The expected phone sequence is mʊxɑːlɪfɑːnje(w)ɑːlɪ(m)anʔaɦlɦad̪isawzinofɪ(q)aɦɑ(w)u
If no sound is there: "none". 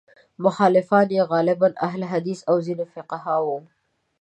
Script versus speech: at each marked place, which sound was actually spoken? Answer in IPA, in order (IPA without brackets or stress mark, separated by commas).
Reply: ɣ, b, q, w